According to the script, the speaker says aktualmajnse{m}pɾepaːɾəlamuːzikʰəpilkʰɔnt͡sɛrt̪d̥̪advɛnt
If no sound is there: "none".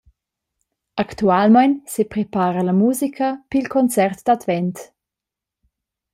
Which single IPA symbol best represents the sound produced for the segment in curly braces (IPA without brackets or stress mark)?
none